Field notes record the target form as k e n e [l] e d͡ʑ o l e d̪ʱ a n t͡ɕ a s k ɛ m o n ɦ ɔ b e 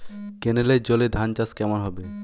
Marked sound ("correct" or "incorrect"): correct